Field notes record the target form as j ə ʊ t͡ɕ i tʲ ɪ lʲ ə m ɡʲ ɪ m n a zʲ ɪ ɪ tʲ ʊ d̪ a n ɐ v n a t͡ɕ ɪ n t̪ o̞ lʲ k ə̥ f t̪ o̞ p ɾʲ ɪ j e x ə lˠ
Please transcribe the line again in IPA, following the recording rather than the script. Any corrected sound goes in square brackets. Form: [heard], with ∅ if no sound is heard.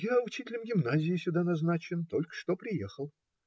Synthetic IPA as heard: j [a] ʊ t͡ɕ i tʲ ɪ lʲ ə m ɡʲ ɪ m n a zʲ ɪ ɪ [sʲ] ʊ d̪ a n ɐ [z] n a t͡ɕ ɪ n t̪ o̞ lʲ k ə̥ [ʂ] t̪ o̞ p ɾʲ ɪ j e x ə lˠ